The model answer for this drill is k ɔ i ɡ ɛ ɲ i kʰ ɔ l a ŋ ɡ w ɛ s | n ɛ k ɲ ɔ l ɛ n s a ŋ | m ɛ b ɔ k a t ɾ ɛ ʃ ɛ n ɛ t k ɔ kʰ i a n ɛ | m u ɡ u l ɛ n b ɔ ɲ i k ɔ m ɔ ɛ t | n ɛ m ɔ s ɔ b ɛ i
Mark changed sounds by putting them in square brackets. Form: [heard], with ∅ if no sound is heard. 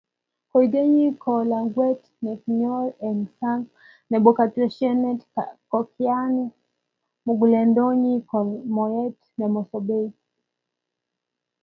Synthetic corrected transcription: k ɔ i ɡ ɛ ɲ i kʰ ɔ l a ŋ ɡ w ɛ [t] | n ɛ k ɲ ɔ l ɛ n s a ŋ | [n] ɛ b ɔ k a t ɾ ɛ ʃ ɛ n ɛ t k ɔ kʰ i a n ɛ | m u ɡ u l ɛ n [d] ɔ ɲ i k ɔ m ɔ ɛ t | n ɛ m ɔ s ɔ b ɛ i